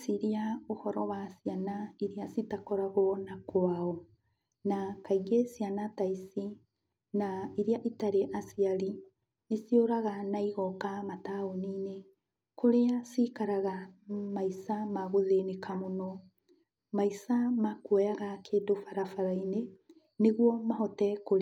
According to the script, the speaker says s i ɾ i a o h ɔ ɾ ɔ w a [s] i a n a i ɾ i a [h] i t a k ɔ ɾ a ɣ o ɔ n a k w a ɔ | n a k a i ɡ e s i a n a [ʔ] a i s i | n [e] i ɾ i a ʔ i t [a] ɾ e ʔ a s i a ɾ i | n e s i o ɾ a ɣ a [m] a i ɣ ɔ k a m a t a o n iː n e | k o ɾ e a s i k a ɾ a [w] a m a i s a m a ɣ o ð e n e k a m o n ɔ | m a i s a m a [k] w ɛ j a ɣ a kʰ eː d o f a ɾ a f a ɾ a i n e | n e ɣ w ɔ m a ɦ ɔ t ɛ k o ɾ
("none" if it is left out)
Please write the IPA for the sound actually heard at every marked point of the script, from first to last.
s, s, t, a, a, n, ɣ, k

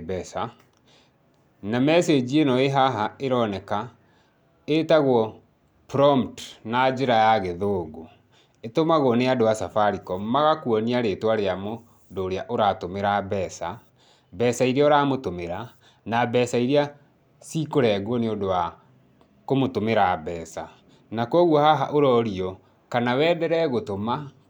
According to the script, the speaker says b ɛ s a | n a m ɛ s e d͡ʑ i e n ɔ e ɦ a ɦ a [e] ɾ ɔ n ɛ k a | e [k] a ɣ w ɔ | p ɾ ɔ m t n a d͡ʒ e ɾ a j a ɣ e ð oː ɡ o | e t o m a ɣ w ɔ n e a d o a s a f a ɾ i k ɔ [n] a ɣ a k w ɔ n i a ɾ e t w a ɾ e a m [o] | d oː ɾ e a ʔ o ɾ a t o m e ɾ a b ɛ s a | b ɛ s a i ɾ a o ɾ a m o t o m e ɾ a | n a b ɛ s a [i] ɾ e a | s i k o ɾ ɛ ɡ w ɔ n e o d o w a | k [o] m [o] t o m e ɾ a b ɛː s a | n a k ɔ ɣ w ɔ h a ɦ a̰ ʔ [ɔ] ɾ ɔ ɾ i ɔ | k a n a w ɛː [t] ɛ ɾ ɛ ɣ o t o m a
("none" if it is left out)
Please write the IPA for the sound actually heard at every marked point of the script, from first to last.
e, t, m, o, i, o, o, o, d

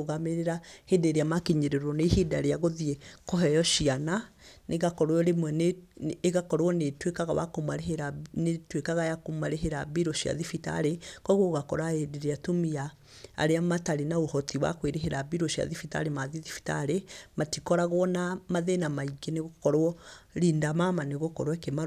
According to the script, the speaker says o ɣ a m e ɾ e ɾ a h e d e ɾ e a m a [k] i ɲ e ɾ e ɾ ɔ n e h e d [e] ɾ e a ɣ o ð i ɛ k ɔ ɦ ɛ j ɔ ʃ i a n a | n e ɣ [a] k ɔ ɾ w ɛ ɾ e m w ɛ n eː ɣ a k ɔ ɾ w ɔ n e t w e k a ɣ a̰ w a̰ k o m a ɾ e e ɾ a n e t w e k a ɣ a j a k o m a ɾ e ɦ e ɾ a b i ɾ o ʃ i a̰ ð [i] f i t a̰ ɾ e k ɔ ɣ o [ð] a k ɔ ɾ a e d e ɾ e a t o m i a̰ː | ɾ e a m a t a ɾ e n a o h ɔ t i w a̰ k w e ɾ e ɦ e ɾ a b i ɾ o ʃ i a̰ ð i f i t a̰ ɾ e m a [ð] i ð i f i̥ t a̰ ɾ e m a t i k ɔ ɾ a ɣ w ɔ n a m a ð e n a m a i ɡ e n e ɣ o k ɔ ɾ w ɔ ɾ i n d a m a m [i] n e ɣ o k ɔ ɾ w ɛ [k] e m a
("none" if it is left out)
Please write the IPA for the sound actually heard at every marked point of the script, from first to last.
k, a, a, i, ɣ, ð, a, k

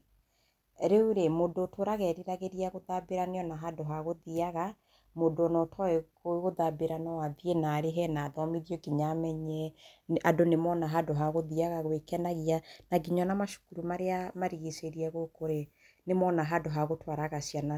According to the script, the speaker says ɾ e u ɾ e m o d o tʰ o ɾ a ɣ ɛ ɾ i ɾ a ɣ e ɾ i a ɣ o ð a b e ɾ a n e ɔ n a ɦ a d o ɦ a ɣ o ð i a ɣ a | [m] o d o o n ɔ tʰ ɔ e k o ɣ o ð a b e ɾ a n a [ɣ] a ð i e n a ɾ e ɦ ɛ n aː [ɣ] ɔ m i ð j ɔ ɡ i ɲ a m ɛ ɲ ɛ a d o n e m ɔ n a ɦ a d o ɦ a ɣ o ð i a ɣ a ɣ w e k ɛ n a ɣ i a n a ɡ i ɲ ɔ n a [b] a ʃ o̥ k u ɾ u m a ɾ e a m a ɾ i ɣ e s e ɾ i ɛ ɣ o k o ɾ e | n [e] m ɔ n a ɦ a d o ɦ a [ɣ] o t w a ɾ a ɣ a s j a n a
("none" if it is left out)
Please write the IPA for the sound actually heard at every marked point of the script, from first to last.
m, w, ð, m, e, ɣ

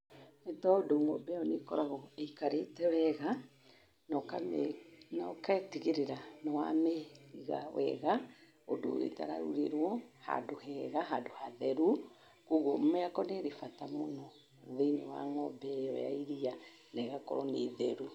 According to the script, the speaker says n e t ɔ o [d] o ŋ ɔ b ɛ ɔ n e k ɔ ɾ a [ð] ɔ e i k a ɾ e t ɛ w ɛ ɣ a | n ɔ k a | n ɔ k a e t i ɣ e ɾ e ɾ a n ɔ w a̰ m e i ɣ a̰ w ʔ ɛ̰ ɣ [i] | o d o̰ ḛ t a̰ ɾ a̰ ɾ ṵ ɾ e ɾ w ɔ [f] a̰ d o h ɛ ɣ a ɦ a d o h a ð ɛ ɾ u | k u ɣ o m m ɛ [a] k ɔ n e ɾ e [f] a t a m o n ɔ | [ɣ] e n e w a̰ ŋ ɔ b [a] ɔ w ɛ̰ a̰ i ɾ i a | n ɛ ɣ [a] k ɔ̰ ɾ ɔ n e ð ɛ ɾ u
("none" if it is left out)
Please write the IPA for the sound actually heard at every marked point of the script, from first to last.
d, ɣ, a, h, a, f, ð, ɛ, a

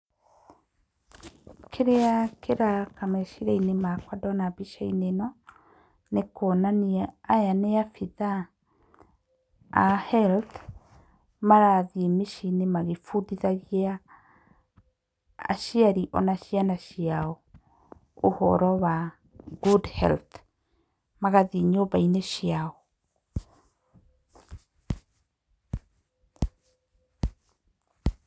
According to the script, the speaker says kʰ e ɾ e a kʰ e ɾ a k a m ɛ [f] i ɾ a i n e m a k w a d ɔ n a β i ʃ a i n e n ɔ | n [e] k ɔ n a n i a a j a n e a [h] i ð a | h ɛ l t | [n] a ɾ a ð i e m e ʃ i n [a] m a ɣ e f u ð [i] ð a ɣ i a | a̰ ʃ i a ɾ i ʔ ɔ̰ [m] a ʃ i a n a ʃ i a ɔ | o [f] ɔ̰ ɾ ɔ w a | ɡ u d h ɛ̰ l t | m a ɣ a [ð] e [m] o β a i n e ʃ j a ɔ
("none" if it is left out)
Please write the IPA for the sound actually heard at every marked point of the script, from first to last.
ʃ, e, f, m, e, i, n, h, ð, ɲ

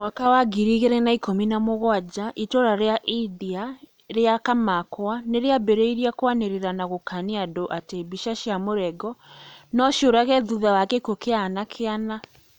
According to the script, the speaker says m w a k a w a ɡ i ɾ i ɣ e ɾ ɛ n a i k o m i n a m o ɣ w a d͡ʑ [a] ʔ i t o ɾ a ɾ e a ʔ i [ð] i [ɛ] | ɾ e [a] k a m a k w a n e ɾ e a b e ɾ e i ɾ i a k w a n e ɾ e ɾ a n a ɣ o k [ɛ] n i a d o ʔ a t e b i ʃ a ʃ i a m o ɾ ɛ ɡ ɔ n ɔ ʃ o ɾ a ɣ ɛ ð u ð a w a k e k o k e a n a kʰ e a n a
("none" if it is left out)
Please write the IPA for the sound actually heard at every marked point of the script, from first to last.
a, ð, a, a, a

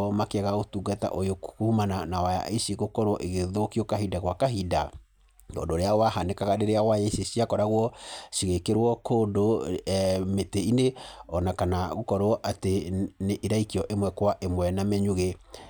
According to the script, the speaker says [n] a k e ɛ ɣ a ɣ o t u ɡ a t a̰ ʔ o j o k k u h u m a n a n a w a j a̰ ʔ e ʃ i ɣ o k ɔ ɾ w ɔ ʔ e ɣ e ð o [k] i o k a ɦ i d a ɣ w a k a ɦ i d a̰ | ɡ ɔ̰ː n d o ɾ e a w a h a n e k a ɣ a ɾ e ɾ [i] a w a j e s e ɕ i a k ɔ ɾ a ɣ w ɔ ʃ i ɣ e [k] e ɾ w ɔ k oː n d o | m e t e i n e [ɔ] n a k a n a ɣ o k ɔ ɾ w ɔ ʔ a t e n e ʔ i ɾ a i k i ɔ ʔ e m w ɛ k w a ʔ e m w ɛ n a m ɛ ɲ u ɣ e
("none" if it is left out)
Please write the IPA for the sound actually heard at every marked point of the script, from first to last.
m, k, e, k, ɔ

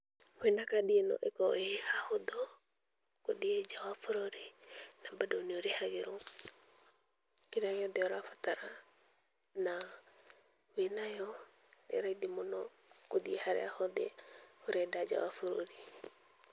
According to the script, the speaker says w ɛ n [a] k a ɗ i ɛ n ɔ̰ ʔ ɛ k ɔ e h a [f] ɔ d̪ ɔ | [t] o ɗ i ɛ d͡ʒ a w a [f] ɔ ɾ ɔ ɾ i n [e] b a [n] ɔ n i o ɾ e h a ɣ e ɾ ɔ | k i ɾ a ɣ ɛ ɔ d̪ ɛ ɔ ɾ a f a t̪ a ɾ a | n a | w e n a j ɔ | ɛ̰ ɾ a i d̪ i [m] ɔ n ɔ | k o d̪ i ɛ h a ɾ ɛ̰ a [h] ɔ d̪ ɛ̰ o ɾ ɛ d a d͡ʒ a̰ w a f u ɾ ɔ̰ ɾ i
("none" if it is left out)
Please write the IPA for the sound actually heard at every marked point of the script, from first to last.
a, h, k, f, a, d, m, h

